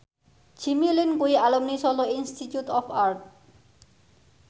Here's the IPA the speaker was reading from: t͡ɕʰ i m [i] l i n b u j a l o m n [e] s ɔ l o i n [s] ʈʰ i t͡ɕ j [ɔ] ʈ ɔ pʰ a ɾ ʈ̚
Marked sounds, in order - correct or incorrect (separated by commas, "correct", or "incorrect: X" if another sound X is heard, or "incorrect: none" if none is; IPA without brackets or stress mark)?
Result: correct, incorrect: i, correct, incorrect: u